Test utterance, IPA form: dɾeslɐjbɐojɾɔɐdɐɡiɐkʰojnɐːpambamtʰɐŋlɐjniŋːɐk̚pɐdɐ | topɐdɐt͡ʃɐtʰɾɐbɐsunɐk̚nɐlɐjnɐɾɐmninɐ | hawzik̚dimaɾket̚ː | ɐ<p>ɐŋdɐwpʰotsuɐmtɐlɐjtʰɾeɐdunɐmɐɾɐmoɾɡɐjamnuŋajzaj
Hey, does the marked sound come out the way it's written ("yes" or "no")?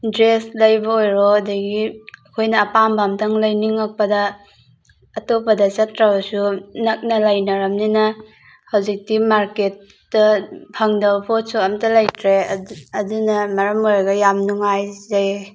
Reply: no